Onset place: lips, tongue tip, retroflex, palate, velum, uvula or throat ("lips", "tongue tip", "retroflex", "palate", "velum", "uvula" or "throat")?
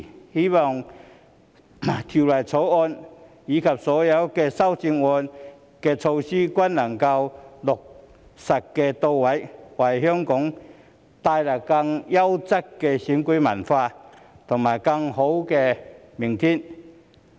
throat